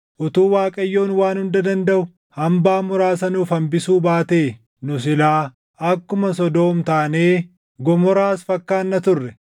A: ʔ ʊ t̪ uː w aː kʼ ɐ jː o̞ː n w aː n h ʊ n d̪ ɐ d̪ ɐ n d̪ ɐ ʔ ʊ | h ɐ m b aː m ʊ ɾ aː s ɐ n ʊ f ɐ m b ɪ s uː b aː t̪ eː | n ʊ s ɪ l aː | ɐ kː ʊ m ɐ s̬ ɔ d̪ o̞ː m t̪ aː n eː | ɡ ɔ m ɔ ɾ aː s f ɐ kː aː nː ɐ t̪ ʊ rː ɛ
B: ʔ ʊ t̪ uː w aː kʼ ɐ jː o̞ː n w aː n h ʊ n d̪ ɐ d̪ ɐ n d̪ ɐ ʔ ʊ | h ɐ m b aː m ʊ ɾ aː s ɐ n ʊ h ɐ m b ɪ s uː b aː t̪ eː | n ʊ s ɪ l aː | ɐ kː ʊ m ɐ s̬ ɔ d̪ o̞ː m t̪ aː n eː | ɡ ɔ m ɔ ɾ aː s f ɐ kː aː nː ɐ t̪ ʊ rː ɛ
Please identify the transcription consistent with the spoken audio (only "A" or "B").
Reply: A